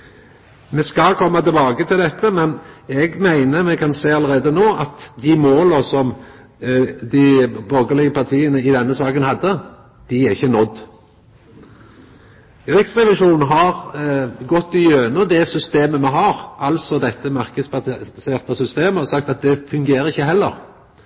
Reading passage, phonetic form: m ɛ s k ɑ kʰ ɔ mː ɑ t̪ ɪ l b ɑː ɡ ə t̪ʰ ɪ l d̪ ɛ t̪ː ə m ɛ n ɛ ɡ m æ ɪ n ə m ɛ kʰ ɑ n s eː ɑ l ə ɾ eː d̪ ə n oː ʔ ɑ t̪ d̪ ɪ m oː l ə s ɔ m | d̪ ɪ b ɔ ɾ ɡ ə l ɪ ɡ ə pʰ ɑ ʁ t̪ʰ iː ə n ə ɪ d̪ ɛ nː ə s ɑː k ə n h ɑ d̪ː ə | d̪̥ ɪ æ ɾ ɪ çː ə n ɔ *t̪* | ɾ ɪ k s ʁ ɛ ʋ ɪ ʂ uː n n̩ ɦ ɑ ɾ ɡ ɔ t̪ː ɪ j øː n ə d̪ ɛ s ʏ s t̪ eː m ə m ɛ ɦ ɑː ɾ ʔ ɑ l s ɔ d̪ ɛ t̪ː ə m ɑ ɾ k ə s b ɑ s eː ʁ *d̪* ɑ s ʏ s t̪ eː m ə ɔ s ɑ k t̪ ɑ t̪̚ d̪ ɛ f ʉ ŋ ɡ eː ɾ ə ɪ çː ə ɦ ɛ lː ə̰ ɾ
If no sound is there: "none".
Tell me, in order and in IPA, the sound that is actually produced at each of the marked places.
d̪, t̪

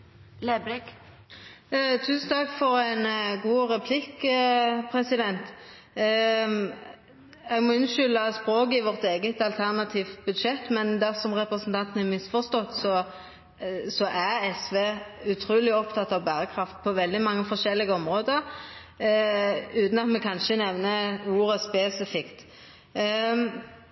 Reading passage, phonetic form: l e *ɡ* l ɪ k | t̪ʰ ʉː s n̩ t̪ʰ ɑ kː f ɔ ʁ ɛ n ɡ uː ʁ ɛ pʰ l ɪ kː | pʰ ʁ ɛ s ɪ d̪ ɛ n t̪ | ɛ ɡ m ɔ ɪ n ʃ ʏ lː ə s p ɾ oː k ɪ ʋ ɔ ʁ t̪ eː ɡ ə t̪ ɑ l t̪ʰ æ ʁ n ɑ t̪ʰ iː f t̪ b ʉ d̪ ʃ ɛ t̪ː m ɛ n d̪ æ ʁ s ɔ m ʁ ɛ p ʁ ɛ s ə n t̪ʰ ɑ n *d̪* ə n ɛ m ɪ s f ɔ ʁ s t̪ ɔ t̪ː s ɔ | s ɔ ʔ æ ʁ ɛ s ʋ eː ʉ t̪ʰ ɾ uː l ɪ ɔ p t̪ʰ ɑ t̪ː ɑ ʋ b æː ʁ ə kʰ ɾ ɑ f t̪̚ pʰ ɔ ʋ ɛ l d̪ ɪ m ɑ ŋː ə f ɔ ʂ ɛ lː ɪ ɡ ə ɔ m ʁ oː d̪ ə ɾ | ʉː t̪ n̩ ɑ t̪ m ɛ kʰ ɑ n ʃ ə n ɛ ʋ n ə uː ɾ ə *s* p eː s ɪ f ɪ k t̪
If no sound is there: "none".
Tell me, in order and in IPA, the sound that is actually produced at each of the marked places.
b, t̪, s

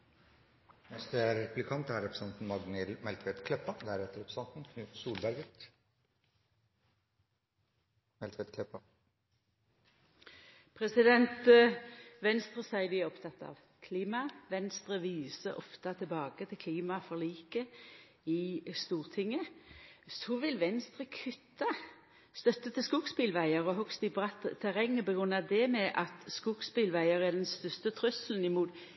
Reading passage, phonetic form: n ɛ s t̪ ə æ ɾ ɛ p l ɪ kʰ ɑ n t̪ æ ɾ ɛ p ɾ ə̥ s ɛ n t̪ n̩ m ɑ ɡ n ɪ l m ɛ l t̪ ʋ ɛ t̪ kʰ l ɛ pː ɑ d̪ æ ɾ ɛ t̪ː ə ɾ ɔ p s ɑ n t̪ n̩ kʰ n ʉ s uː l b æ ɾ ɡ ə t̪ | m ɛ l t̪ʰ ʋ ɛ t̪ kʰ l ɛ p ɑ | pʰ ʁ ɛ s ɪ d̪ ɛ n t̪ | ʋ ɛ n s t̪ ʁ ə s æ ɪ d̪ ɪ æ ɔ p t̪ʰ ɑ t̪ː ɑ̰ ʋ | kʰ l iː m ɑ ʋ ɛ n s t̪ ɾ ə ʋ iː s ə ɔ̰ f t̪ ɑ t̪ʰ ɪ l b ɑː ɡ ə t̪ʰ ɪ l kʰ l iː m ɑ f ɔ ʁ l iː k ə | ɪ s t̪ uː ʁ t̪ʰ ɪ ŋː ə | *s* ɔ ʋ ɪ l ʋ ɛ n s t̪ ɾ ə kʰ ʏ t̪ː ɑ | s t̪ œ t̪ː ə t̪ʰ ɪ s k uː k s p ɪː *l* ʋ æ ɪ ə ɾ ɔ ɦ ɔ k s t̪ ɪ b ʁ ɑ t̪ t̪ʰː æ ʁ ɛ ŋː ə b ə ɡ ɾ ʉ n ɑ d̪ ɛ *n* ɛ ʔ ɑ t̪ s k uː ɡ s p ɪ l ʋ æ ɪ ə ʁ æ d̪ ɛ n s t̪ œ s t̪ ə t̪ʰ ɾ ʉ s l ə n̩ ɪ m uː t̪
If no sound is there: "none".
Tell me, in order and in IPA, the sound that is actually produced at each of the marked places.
s, l, m

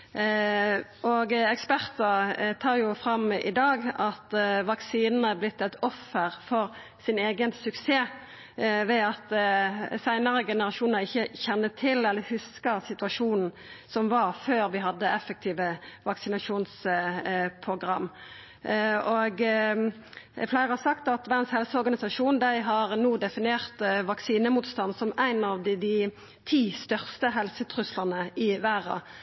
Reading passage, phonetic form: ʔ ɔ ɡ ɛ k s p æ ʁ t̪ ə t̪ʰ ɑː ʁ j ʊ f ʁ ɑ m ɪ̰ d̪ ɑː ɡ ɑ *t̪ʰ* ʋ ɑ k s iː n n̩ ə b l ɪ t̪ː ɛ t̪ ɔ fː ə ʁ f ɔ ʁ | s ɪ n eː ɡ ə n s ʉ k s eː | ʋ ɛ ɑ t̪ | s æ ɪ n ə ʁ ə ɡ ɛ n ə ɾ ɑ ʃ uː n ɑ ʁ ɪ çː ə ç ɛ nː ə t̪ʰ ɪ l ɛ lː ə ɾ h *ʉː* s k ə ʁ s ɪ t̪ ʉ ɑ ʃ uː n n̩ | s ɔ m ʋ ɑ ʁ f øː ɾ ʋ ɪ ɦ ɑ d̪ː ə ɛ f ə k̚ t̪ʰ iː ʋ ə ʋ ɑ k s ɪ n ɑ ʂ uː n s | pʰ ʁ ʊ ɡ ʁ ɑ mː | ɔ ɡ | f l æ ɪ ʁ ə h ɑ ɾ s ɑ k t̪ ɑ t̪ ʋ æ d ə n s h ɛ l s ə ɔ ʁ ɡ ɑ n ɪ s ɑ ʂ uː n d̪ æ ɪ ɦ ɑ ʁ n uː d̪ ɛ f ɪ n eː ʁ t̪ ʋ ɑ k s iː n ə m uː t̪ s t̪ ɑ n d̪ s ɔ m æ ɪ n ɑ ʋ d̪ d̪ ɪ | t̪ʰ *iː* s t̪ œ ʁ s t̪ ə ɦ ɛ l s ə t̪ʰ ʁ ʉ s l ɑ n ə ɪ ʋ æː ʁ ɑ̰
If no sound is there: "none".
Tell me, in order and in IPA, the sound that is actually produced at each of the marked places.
t̪, ʉ, iː

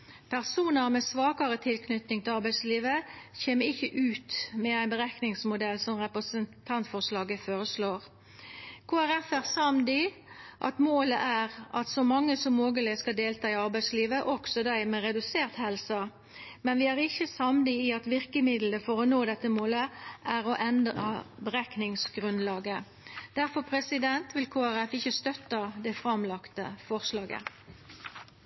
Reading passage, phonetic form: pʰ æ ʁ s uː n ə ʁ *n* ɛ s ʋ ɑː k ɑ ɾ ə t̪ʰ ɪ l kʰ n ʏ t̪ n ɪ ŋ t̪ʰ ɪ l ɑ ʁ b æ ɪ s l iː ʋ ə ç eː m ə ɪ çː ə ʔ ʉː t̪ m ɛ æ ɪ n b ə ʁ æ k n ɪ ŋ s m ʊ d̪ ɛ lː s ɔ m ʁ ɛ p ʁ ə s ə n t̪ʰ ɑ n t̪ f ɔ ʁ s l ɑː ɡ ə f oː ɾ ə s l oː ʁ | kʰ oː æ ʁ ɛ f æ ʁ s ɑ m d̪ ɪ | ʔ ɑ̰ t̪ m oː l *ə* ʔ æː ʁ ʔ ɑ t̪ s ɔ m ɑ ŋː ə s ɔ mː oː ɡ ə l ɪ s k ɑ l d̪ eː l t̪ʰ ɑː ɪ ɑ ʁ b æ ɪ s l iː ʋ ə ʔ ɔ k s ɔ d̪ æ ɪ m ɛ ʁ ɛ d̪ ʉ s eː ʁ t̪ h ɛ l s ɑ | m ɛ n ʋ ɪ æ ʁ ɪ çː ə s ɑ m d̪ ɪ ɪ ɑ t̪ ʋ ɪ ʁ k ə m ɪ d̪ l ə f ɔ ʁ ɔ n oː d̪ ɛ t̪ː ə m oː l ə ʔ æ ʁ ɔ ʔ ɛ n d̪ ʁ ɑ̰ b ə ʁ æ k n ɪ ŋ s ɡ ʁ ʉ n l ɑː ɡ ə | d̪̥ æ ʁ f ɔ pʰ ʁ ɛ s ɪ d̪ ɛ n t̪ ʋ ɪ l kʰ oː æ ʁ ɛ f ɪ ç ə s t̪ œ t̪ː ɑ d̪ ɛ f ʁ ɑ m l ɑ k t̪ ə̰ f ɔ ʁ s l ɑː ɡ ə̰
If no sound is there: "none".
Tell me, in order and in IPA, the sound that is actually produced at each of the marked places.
m, ə

